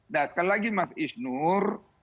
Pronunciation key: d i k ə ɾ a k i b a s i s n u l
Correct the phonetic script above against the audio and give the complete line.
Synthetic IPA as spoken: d a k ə l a ɡ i m a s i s n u r